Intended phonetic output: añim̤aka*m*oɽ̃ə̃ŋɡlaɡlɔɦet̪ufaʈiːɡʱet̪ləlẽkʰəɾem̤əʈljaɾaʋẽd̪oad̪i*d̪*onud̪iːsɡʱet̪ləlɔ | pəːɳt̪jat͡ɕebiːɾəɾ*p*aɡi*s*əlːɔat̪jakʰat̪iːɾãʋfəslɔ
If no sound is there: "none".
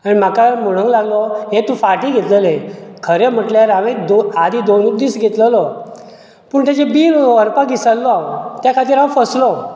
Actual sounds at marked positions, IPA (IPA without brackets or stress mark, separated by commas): m, d̪, p, s